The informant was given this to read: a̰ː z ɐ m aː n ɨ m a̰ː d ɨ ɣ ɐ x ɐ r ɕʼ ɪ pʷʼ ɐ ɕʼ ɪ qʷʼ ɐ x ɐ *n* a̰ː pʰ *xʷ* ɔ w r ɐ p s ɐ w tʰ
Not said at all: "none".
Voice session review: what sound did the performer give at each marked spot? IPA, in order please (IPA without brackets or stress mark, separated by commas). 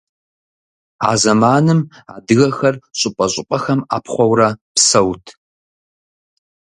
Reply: m, χʷ